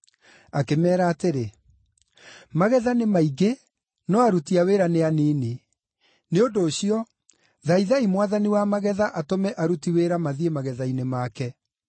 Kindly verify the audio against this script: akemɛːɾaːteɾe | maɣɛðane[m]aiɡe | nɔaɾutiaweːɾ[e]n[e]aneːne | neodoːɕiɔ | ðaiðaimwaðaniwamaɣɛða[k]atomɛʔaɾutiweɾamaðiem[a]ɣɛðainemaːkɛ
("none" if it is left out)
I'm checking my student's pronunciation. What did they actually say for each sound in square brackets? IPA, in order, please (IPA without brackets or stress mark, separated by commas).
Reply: m, a, e, ʔ, a